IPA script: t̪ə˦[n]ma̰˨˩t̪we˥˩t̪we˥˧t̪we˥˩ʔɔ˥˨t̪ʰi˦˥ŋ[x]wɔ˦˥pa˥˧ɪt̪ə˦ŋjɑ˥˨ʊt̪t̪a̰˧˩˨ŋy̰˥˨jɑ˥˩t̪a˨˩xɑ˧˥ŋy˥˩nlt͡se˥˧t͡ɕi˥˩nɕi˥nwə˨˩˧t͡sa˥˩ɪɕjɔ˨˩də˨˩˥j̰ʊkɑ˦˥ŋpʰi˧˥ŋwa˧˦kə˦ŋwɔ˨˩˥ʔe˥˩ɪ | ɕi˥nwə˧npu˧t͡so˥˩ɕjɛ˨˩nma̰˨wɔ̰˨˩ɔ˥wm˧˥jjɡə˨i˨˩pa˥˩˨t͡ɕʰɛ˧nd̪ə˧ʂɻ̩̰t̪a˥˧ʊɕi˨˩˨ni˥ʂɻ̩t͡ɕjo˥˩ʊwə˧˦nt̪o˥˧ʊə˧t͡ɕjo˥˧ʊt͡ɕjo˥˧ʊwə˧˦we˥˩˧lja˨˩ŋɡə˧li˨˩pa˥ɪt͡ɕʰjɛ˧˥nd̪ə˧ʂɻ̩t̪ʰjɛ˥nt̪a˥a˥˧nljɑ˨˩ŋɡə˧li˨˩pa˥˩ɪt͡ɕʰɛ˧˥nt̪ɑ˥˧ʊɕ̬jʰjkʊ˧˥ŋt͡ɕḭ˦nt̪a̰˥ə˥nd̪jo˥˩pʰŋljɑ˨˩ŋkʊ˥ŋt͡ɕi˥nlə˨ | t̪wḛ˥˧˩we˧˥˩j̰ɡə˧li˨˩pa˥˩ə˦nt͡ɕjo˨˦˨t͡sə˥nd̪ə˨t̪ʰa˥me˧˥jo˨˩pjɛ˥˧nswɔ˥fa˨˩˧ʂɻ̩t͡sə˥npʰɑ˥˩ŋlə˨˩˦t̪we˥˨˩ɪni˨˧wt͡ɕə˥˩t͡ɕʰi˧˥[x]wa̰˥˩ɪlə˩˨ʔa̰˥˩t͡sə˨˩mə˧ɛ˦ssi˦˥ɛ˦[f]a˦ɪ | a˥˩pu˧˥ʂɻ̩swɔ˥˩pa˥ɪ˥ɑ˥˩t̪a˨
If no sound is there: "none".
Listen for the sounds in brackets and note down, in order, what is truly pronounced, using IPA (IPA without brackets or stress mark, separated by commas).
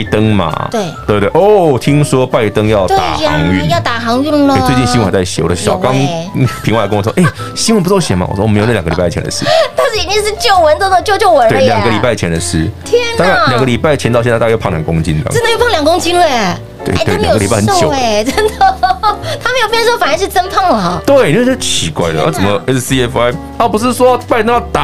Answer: ŋ, s, k, f